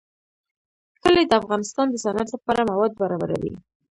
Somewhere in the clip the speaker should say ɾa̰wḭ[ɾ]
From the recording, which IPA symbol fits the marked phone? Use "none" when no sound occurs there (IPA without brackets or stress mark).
none